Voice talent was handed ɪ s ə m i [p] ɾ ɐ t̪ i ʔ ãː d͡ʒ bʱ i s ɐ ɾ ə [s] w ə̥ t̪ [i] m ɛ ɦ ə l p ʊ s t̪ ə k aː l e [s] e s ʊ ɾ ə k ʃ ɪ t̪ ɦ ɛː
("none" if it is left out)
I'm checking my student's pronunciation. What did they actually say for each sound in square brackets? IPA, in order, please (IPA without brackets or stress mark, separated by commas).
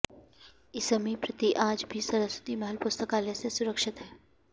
p, s, i, s